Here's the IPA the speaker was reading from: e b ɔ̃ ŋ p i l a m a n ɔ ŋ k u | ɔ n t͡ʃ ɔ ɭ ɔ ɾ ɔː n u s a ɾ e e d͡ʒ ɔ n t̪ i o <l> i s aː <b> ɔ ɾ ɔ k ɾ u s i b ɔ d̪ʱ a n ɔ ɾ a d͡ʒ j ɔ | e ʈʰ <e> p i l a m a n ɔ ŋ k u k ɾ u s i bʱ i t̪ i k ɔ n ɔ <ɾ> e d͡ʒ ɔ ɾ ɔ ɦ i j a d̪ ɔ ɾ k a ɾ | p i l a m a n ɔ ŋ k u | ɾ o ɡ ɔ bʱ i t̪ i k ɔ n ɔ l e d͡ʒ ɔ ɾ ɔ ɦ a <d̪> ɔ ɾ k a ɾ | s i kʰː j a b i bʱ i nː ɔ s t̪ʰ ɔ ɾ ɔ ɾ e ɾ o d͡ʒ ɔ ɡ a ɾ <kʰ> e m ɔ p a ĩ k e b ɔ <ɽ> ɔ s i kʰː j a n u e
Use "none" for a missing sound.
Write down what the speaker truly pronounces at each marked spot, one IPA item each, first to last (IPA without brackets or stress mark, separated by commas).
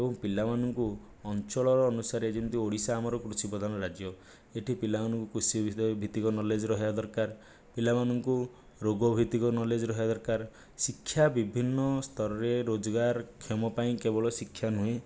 ɽ, m, i, l, d̪, kʰ, ɭ